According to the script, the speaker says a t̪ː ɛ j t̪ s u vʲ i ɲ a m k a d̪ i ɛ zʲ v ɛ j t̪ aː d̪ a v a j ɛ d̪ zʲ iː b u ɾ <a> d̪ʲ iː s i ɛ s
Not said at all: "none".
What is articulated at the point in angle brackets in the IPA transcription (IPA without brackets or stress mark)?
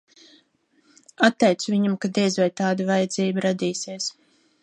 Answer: a